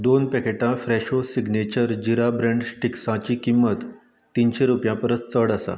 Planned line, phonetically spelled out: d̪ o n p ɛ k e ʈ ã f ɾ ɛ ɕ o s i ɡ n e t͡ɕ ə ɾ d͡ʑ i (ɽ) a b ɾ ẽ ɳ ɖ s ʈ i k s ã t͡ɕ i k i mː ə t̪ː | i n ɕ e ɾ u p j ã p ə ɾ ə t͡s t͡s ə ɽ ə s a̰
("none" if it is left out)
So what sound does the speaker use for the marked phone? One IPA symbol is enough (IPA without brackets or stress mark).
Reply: ɾ